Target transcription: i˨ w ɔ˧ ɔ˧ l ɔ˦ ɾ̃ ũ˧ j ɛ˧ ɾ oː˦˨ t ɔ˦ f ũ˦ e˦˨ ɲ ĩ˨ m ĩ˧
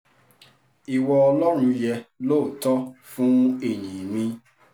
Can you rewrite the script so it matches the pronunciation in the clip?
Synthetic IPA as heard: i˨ w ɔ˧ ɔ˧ l ɔ˦ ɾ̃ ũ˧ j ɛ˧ l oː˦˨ t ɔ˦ f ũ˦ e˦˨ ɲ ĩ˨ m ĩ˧

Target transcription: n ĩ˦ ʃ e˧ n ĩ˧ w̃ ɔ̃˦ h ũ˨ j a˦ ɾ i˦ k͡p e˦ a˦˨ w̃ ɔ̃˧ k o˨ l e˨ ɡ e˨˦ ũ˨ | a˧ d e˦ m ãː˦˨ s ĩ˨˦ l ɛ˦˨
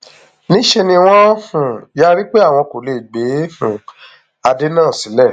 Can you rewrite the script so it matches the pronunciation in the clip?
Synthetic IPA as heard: n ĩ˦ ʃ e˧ n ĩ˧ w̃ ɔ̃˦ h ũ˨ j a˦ ɾ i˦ k͡p e˦ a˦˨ w̃ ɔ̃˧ k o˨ l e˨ ɡ͡b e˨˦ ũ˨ | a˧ d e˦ n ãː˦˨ s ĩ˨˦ l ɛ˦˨

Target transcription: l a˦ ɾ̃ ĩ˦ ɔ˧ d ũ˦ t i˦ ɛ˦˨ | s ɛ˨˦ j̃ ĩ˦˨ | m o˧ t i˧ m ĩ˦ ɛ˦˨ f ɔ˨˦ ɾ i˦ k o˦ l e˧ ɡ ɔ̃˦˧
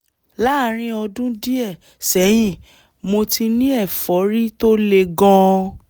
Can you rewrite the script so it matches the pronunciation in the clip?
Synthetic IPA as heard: l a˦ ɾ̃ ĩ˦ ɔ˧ d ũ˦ d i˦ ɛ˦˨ | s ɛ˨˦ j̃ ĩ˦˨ | m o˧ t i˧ n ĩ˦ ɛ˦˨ f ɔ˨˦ ɾ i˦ t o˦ l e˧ ɡ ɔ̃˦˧

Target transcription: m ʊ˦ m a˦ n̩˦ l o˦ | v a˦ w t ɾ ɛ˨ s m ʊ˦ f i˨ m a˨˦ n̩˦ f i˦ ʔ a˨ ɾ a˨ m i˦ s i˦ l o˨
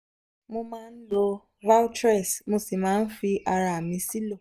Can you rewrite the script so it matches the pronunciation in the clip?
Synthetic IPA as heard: m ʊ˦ m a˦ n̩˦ l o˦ | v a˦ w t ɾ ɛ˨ s m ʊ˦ s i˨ m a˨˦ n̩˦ f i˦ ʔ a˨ ɾ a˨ m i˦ s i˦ l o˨

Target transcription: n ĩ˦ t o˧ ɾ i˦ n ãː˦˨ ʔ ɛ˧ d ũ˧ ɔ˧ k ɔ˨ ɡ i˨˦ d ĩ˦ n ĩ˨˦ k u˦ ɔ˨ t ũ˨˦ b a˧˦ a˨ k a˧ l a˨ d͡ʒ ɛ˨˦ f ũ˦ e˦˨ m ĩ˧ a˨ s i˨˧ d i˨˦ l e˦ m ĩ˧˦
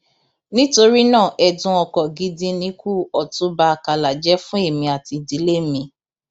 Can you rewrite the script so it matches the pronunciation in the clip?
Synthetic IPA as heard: n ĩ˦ t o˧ ɾ i˦ n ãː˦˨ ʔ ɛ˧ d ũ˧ ɔ˧ k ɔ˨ ɡ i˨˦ d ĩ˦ n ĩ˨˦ k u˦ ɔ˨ t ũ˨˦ b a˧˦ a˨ k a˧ l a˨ d͡ʒ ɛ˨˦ f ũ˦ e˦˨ m ĩ˧ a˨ t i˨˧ d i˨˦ l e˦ m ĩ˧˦

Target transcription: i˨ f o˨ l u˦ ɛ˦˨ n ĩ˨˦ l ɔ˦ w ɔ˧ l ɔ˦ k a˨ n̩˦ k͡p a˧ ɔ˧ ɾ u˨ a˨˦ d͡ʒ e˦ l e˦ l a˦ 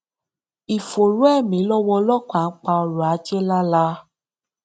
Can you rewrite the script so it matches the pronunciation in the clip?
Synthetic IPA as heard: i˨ f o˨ ɾ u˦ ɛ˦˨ m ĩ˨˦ l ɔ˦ w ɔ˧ l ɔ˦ k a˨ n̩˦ k͡p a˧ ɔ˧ ɾ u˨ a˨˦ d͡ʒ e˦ l a˦ l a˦

